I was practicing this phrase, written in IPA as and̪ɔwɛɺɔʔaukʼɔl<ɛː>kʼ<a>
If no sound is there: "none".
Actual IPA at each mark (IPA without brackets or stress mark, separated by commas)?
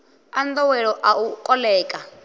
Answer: ɛː, a